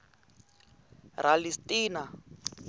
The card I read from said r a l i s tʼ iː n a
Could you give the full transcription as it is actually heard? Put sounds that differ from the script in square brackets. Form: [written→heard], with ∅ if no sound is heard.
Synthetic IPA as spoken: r a l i s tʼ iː n a